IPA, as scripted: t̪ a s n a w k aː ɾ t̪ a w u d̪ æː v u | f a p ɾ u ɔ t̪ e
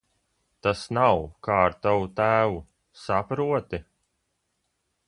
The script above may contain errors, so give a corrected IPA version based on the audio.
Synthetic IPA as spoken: t̪ a s n a w k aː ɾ t̪ a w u t̪ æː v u | s a p ɾ u ɔ t̪ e